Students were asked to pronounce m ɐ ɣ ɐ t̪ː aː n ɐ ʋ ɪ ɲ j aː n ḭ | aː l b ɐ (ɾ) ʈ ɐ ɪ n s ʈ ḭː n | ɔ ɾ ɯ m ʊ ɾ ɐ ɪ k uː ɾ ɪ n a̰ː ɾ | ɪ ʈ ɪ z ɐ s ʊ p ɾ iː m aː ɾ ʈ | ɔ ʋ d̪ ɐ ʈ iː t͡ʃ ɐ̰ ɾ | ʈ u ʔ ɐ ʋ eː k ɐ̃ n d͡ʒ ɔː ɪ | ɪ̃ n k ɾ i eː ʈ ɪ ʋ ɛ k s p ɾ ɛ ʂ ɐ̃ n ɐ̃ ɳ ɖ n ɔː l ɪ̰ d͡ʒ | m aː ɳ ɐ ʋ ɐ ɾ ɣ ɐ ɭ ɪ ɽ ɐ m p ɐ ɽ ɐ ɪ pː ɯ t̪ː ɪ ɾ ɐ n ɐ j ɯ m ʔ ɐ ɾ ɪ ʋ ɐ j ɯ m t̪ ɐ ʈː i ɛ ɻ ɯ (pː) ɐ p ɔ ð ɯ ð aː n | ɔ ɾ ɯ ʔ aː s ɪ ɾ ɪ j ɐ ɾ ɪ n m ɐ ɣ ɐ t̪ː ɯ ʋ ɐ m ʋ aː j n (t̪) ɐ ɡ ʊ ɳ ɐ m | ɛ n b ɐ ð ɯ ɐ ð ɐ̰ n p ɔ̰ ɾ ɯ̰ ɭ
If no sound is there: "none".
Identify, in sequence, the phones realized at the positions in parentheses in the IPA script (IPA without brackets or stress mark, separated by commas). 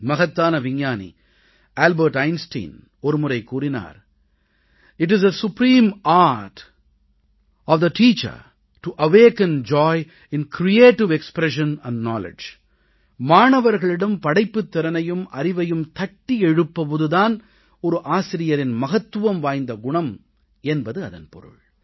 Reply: ɾ, pː, d̪